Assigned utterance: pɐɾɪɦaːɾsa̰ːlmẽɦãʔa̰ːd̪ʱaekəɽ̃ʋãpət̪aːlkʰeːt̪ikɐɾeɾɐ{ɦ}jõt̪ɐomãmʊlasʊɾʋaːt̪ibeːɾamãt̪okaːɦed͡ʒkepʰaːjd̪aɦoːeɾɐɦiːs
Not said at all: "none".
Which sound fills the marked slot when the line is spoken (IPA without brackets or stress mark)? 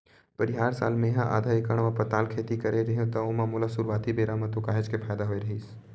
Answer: ɦ